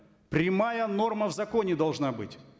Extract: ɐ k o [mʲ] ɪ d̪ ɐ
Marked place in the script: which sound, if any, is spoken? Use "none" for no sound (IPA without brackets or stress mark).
nʲ